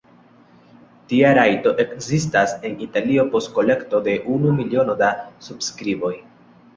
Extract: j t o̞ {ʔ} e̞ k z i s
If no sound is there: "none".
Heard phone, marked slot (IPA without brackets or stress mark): ʔ